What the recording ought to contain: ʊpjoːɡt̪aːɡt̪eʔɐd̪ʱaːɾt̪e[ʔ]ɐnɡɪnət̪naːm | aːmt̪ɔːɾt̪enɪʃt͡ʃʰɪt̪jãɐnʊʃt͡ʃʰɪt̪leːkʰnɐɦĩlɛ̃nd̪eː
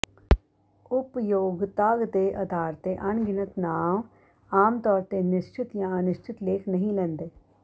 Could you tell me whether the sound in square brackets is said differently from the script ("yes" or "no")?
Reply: no